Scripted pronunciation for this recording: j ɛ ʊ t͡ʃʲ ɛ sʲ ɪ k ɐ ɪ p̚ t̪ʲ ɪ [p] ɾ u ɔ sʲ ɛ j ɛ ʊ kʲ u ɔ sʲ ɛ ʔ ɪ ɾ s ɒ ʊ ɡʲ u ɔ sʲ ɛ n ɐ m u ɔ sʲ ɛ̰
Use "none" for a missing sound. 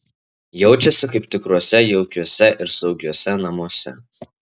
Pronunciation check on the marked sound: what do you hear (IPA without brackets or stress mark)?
k